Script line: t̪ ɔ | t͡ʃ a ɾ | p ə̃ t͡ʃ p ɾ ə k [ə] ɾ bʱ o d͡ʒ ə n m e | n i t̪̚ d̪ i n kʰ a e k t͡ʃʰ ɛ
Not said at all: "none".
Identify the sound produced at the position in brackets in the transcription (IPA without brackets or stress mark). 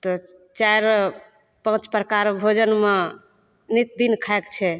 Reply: a